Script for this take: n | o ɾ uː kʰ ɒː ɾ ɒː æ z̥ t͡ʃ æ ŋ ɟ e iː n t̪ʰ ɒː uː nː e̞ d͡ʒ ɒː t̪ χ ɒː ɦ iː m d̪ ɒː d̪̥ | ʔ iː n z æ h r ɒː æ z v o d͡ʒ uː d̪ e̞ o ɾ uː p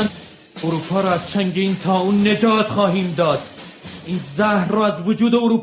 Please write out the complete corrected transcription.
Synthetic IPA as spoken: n | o ɾ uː pʰ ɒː ɾ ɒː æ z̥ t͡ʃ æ ŋ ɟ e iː n t̪ʰ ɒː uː nː e̞ d͡ʒ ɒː t̪ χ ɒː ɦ iː m d̪ ɒː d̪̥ | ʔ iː n z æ h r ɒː æ z v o d͡ʒ uː d̪ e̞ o ɾ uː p